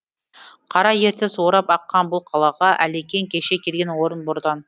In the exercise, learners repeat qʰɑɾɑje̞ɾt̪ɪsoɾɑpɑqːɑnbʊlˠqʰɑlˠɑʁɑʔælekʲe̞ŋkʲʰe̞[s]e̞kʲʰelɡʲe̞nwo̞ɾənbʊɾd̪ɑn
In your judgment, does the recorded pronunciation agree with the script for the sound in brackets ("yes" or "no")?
no